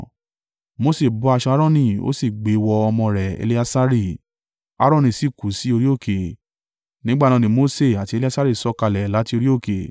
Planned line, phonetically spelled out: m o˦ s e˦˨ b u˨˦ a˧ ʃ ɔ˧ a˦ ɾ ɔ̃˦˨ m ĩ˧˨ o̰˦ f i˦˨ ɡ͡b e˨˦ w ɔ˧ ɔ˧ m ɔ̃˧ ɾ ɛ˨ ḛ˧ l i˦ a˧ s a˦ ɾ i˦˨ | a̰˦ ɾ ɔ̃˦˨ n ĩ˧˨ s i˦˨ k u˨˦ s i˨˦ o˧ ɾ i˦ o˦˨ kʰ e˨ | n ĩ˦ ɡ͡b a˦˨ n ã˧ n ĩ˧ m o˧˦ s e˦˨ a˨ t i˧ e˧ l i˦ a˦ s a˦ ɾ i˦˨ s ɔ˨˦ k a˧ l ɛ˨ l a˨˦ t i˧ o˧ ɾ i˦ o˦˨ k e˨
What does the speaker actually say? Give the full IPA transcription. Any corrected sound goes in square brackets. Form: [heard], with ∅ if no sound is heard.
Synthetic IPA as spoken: m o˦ s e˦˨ b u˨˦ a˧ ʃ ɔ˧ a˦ ɾ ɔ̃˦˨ [n] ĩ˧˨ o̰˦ [s] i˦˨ ɡ͡b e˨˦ w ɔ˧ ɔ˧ m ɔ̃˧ ɾ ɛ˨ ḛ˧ l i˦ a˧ s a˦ ɾ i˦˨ | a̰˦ ɾ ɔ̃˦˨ n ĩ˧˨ s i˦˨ k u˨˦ s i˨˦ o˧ ɾ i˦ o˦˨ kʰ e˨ | n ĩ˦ ɡ͡b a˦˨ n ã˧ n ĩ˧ m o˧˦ s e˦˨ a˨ t i˧ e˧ l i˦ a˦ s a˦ ɾ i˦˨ s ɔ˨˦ k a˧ l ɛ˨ l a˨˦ t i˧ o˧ ɾ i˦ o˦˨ k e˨